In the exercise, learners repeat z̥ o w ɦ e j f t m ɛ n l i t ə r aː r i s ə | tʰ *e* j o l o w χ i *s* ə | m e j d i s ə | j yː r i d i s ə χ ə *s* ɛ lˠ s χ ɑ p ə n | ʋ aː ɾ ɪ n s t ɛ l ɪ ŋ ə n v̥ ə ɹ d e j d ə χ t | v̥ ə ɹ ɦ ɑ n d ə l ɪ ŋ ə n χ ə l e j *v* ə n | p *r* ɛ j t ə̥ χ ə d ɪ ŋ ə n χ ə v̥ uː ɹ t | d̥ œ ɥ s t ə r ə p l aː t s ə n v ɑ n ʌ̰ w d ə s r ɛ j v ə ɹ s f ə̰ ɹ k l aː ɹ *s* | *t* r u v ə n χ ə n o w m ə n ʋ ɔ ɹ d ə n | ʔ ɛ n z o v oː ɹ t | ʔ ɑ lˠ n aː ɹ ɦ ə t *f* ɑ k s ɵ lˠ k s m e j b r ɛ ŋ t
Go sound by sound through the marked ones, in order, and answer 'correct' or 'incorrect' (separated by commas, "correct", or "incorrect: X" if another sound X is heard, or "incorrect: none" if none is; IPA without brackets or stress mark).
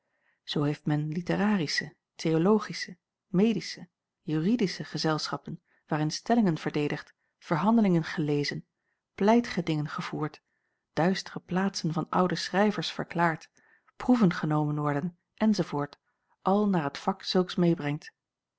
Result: correct, correct, incorrect: z, incorrect: z, incorrect: l, incorrect: t, incorrect: p, correct